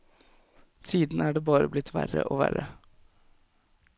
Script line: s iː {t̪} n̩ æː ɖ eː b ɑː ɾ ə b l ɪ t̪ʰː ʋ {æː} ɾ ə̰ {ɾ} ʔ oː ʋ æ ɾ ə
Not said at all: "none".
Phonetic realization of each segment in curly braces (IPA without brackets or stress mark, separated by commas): d̪, æ, none